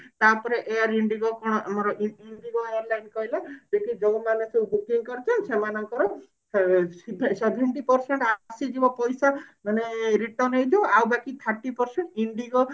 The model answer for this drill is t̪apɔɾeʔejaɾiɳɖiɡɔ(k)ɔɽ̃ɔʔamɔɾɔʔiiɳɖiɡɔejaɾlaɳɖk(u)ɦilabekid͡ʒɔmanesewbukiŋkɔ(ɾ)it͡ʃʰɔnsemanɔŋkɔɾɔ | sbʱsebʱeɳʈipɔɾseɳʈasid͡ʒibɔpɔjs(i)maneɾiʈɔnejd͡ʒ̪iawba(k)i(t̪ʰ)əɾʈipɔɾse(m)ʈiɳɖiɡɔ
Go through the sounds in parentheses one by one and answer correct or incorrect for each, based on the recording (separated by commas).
correct, incorrect, correct, incorrect, correct, correct, incorrect